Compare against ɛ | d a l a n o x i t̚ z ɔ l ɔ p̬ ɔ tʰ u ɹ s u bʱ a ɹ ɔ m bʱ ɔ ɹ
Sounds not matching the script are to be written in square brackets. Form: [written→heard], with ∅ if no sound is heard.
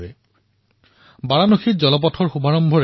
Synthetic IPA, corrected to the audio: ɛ | [d→b] a [l→ɹ] a n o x i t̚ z ɔ l ɔ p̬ ɔ tʰ [u→ɔ] ɹ [s→x] u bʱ a ɹ ɔ m bʱ ɔ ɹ